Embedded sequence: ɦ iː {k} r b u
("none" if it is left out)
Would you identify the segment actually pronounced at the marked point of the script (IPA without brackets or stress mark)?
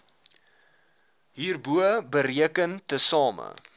none